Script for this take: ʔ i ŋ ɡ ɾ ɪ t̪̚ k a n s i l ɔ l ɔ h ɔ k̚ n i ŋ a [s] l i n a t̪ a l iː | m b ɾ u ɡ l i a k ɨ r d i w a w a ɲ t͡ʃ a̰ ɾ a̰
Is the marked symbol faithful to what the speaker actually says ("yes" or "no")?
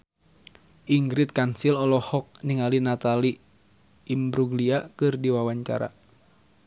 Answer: no